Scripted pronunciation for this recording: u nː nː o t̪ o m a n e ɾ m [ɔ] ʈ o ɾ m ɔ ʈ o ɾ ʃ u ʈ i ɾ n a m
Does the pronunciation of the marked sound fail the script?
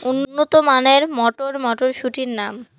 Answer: no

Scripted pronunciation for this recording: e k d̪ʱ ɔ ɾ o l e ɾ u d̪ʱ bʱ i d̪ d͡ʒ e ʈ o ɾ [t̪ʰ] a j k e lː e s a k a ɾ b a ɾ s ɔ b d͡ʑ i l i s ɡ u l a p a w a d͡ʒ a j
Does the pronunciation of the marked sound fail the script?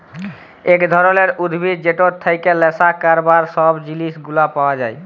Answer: no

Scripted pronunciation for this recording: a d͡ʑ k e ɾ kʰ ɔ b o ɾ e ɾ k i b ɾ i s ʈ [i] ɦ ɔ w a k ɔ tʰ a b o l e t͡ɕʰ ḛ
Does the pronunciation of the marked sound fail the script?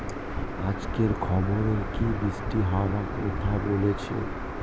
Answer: no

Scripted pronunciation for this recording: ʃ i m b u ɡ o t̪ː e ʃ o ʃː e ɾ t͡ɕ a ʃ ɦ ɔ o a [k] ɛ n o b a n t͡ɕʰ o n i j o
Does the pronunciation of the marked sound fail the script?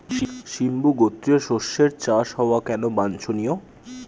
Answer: no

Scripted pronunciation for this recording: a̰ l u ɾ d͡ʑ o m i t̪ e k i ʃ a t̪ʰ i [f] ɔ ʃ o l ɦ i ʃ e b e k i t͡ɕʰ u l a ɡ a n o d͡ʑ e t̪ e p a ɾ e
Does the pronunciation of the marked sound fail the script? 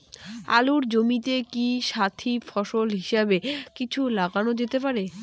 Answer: no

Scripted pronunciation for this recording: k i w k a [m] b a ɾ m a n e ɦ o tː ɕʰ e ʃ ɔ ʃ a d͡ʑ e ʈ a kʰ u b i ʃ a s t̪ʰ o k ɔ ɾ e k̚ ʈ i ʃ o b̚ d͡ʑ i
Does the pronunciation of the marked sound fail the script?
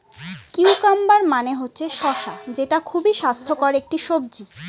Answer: no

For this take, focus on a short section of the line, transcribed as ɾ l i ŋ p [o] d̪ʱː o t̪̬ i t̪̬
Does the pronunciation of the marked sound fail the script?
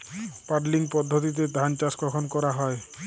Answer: yes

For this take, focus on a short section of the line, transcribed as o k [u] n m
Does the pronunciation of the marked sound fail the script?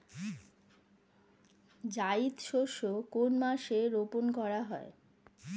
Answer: yes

